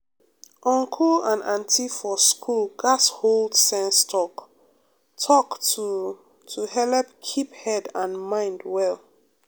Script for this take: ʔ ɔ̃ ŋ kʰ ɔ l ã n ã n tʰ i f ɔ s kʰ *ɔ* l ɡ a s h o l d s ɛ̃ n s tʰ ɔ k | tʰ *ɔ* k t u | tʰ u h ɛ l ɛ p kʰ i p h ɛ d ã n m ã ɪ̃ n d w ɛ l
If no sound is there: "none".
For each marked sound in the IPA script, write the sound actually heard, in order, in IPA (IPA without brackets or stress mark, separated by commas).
u, ɔ